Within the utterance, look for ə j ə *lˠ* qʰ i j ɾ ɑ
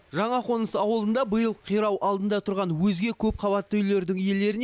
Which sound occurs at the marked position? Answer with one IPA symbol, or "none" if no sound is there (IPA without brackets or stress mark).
lˠ